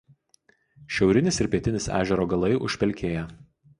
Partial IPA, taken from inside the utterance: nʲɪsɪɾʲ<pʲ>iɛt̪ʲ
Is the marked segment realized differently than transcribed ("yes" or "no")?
no